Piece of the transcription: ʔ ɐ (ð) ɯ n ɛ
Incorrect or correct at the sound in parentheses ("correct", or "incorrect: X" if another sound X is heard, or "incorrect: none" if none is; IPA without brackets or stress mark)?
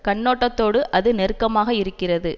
correct